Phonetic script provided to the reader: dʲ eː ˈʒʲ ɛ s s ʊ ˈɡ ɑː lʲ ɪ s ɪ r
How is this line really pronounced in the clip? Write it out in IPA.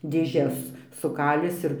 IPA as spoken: dʲ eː ˈʒʲ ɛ s s ʊ ˈk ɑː lʲ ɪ s ɪ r